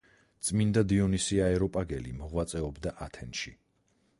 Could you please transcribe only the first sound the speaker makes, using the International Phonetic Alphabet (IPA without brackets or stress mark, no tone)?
t̪